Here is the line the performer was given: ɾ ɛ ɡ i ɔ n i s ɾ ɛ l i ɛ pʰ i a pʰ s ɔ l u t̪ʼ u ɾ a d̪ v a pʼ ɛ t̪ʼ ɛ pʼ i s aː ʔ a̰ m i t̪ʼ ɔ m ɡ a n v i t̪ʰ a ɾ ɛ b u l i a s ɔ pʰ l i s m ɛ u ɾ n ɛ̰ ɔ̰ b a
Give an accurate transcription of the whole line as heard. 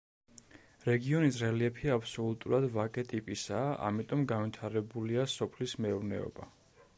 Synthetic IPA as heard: ɾ ɛ ɡ i ɔ n i s ɾ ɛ l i ɛ pʰ i a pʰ s ɔ l u t̪ʼ u ɾ a d̪ v a kʼ ɛ t̪ʼ i pʼ i s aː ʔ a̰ m i t̪ʼ ɔ m ɡ a n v i t̪ʰ a ɾ ɛ b u l i a s ɔ pʰ l i s m ɛ u ɾ n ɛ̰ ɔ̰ b a